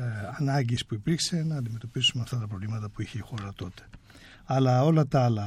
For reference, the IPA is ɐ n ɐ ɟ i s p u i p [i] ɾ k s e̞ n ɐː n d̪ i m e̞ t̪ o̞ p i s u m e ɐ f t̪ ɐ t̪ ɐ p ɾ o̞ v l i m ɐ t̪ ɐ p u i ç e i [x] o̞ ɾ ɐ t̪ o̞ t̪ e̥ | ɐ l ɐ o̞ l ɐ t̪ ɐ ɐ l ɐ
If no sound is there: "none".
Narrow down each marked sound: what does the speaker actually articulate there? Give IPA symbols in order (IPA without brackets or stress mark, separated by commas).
i, x